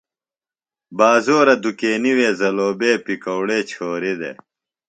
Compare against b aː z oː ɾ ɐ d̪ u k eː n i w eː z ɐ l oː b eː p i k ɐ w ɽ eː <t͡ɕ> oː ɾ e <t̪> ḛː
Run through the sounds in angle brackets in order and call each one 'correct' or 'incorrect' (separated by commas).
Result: incorrect, incorrect